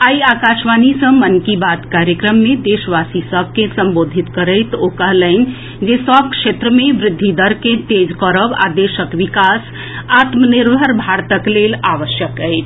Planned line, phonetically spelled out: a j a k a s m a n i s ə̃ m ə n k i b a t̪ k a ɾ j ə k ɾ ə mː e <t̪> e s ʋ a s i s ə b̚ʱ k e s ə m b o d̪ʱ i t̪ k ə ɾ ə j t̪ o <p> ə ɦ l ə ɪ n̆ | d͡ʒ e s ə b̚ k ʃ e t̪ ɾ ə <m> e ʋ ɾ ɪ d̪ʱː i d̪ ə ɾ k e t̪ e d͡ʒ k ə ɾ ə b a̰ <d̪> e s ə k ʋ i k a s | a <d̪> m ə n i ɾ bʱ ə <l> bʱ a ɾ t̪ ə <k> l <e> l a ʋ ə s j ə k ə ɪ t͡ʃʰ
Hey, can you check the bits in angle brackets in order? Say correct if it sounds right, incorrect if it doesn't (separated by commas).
incorrect, incorrect, correct, correct, incorrect, incorrect, correct, correct